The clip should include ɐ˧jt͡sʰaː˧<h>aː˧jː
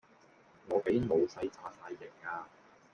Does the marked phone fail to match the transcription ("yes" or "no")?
yes